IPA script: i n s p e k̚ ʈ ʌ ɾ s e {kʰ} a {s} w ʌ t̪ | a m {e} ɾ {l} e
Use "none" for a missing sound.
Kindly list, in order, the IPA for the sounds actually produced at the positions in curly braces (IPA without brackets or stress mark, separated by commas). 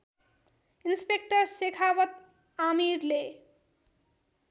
kʰ, none, i, l